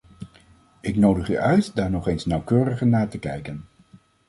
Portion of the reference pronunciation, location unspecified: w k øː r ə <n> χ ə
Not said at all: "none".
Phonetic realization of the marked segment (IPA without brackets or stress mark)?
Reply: none